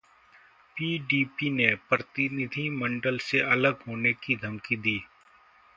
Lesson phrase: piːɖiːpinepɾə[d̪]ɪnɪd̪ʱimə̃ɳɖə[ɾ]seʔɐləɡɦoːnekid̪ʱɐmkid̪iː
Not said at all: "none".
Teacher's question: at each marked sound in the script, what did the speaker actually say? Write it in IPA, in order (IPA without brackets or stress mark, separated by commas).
t̪, l